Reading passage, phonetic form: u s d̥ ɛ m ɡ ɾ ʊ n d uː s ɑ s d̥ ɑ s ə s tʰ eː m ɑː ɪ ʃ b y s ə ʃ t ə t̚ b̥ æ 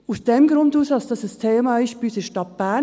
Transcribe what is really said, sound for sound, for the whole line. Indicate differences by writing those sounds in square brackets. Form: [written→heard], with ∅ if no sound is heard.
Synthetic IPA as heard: u s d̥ ɛ m ɡ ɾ ʊ n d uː s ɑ s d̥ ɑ s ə s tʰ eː m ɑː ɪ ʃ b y s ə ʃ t [ə→ɑ] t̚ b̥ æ

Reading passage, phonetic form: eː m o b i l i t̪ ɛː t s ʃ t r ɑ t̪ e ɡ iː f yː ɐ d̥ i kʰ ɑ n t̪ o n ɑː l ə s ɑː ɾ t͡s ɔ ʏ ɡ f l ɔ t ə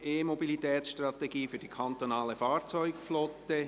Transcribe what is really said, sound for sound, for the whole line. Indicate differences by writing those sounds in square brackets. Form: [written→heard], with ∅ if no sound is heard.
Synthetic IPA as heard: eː m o b i l i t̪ ɛː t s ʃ t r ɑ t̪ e ɡ iː f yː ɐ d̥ i kʰ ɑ n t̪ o n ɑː l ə [s→f] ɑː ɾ t͡s ɔ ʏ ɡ f l ɔ t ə

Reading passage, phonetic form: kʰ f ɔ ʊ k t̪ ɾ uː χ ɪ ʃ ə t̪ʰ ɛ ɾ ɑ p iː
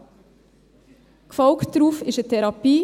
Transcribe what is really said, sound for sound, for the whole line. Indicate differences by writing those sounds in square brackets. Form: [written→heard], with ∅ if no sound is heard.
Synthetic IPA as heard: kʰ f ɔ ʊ k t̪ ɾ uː [χ→f] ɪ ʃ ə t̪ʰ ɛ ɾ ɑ p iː

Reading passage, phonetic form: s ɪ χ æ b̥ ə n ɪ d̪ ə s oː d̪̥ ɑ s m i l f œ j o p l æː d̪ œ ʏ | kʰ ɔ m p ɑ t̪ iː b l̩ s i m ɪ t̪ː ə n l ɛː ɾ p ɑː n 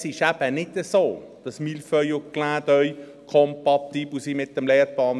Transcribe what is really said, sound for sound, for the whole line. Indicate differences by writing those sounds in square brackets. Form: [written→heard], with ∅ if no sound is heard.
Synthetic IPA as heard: s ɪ [χ→ʃ] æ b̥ ə n ɪ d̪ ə s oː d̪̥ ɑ s m i l f œ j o [p→k] l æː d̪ œ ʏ | kʰ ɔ m p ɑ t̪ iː b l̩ s i m ɪ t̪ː ə [n→m] l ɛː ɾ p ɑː n

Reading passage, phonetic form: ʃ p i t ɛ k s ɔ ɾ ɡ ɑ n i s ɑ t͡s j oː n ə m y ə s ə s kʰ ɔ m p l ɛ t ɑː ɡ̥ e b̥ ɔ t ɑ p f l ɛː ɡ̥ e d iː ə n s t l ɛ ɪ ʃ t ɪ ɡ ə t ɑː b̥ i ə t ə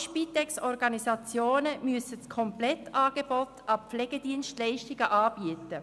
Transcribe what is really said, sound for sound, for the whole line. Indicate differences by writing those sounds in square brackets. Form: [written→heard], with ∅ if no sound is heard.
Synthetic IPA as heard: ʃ p i t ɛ k s ɔ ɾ ɡ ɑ n i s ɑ t͡s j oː n ə m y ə s ə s kʰ ɔ m p l ɛ t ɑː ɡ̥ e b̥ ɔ t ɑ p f l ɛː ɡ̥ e d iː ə n s t l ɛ ɪ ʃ t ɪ ɡ ə [t→ʔ] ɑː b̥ i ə t ə

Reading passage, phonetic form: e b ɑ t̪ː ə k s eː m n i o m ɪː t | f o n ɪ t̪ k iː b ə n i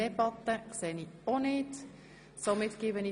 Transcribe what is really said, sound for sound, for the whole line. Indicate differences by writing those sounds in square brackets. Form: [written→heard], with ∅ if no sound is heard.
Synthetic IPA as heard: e b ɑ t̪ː ə k s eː [m→∅] n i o [m→n] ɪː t | [f→s] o [n→m] ɪ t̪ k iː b ə n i

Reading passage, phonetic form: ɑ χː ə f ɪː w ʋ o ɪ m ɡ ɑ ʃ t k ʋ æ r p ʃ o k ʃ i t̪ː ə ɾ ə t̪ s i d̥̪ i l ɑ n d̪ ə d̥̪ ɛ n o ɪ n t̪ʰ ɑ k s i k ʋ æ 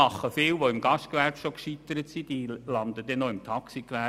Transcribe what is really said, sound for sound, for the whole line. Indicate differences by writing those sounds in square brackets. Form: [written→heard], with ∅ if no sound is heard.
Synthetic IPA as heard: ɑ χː ə f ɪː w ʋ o ɪ m ɡ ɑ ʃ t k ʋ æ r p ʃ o k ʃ i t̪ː ə ɾ ə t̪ s i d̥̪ i l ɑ n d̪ ə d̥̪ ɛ n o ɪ [n→m] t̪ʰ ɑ k s i k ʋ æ

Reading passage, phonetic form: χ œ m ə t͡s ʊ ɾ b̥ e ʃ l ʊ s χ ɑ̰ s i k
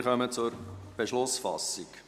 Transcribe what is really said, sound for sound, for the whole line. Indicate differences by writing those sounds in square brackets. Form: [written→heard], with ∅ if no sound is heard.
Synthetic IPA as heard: χ œ m ə t͡s ʊ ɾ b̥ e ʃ l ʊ s [χ→f] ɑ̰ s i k

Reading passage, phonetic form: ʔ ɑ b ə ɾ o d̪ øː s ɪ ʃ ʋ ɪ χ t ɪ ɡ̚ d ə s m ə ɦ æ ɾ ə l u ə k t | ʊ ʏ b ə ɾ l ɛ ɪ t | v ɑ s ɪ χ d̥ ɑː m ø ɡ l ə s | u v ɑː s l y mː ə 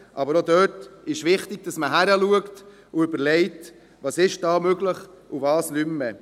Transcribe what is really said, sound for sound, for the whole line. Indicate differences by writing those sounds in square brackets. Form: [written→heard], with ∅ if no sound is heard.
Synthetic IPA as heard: ʔ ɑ b ə ɾ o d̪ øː [s→t] ɪ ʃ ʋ ɪ χ t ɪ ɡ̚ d [ə→ɑ] s m ə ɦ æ ɾ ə l u ə k t | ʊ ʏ b ə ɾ l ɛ ɪ t | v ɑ s ɪ [χ→ʃ] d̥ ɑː m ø ɡ l ə [s→χ] | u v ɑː s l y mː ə

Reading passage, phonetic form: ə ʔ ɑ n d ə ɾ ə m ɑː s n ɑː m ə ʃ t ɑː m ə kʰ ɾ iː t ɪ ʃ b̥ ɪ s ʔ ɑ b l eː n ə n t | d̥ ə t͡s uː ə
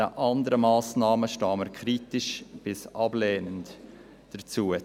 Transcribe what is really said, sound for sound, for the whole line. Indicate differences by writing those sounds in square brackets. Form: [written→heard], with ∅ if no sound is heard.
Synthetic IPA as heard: ə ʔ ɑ n d ə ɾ ə m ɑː s n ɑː m ə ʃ t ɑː m ə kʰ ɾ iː t ɪ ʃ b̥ ɪ s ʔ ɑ b l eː n ə n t | d̥ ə t͡s uː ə

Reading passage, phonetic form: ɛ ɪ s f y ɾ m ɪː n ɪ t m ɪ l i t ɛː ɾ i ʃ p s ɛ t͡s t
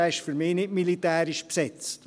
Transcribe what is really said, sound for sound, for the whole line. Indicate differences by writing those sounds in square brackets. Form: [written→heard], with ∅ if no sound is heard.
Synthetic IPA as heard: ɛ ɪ [s→ʃ] f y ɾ m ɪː n ɪ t m [ɪ→i] l i t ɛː ɾ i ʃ p s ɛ t͡s t

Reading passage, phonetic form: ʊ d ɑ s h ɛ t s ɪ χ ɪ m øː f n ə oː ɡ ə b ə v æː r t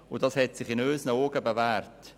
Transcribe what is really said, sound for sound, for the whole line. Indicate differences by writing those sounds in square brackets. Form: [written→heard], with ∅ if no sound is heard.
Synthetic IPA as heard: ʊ d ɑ s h ɛ t s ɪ χ ɪ [m→n] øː [f→s] n ə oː ɡ ə b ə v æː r t

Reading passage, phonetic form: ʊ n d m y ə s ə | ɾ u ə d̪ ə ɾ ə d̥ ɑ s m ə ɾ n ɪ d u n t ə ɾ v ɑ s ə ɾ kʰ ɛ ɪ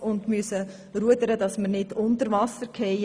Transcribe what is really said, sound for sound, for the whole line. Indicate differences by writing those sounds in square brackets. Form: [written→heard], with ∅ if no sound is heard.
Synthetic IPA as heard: ʊ n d m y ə s ə | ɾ u ə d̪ ə ɾ ə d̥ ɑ s m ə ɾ n ɪ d [u→ʊ] n t ə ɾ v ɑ s ə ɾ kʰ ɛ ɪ

